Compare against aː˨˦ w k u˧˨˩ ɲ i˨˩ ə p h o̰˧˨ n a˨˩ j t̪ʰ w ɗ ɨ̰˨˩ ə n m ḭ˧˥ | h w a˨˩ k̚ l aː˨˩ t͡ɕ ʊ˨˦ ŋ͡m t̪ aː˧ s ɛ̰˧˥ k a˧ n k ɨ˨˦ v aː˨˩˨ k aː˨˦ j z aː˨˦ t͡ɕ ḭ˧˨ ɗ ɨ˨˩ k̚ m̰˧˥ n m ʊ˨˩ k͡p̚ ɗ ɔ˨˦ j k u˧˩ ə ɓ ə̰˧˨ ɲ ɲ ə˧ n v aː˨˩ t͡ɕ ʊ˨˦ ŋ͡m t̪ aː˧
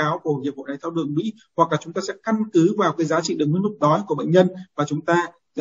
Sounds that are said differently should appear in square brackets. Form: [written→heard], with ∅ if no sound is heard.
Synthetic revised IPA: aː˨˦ w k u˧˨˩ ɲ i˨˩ ə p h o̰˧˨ n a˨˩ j t̪ʰ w ɗ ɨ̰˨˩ ə [n→ŋ] m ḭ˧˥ | h w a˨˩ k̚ l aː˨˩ t͡ɕ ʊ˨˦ ŋ͡m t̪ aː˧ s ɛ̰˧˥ k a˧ n k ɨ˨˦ v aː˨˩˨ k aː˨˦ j z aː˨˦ t͡ɕ ḭ˧˨ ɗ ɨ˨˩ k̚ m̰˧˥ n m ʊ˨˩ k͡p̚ ɗ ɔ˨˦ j k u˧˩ ə ɓ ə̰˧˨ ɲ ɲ ə˧ n v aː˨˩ t͡ɕ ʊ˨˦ ŋ͡m t̪ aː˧